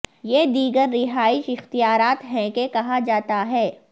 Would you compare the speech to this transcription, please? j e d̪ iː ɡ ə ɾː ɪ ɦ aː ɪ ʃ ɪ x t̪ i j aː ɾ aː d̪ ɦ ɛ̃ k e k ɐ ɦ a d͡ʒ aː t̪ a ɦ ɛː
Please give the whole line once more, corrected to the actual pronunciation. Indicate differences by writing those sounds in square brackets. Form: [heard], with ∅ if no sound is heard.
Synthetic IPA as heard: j e d̪ iː ɡ ə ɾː ɪ ɦ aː ɪ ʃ ɪ x t̪ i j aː ɾ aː [t̪] ɦ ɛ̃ k e k ɐ ɦ a d͡ʒ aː t̪ a ɦ ɛː